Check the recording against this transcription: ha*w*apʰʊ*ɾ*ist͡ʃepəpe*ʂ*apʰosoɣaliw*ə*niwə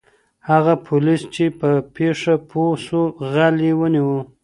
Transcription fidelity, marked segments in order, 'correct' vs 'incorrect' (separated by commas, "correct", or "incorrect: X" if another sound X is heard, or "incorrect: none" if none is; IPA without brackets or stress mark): incorrect: ɣ, incorrect: l, correct, correct